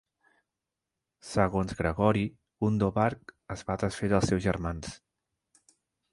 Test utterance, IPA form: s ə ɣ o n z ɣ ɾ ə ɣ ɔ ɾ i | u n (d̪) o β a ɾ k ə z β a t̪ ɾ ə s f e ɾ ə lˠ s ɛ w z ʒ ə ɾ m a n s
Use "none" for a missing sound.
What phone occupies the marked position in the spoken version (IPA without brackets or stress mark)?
d̪